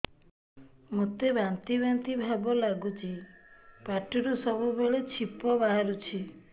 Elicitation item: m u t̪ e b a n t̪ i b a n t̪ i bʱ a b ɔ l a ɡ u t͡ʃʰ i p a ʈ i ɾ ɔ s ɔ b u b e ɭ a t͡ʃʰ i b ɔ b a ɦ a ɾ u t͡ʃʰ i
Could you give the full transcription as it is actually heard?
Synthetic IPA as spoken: m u t̪ e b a n t̪ i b a n t̪ i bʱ a b ɔ l a ɡ u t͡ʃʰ i p a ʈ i ɾ u s ɔ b u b e ɭ e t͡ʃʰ i p ɔ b a ɦ a ɾ u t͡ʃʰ i